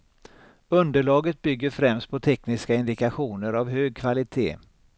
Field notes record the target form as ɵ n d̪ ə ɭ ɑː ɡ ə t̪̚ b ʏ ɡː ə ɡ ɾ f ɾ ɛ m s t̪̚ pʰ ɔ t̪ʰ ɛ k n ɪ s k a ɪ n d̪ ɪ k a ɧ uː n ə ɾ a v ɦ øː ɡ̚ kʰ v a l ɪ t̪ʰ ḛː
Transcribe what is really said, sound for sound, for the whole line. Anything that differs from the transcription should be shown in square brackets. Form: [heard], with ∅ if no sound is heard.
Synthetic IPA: ɵ n d̪ ə ɭ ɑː ɡ ə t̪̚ b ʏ ɡː ə [∅] ɾ f ɾ ɛ m s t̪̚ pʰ ɔ t̪ʰ ɛ k n ɪ s k a ɪ n d̪ ɪ k a ɧ uː n ə ɾ a v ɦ øː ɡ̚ kʰ v a l ɪ t̪ʰ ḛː